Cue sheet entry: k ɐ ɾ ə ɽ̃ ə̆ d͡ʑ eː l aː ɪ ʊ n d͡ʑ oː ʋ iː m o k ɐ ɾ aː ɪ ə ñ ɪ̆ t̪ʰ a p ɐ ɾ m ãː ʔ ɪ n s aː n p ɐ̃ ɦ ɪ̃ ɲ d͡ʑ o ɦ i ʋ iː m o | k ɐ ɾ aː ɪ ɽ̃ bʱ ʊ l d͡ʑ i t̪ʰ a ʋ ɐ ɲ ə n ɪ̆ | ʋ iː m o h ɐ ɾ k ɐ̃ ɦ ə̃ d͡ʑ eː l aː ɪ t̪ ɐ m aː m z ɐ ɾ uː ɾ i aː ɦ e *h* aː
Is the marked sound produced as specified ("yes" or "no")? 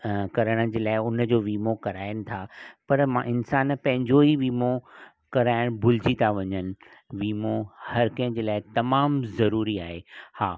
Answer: yes